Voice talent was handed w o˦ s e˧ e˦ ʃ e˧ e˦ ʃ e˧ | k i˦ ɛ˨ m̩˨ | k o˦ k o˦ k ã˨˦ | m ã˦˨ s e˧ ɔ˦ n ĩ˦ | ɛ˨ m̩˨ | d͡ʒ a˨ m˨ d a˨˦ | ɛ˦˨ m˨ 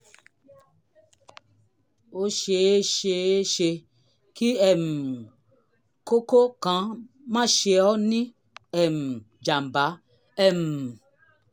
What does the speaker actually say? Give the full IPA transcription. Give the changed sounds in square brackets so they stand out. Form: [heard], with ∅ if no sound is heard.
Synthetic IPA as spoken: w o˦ [ʃ] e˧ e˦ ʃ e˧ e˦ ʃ e˧ | k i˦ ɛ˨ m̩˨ | k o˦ k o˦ k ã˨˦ | m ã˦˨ [ʃ] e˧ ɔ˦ n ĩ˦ | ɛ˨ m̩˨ | d͡ʒ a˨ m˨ [b] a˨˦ | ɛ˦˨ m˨